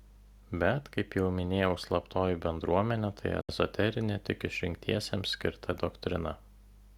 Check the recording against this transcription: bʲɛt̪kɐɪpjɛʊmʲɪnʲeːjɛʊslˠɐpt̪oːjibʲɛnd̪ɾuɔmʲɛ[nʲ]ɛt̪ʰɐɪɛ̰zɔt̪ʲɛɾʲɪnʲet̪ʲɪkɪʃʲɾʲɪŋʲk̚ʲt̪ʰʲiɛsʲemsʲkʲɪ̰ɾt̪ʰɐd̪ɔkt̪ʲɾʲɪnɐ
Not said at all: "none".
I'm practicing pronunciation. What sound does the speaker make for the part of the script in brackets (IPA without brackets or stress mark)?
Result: nʲ